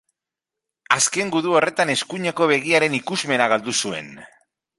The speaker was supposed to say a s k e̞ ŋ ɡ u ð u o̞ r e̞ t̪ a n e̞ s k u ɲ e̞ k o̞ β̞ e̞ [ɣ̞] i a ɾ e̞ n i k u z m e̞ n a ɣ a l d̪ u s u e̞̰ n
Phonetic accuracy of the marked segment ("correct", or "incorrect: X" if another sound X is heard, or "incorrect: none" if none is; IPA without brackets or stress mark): correct